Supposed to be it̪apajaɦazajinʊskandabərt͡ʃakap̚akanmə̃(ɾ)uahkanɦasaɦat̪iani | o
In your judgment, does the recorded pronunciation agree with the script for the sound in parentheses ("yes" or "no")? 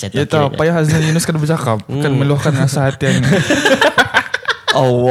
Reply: no